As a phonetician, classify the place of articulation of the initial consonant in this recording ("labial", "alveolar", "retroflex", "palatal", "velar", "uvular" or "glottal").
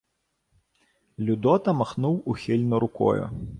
alveolar